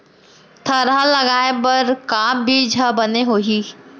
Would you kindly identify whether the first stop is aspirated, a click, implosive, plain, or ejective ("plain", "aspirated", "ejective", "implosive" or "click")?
aspirated